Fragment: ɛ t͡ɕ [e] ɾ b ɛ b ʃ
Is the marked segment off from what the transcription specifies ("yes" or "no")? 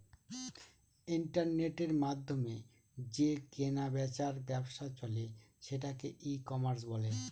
yes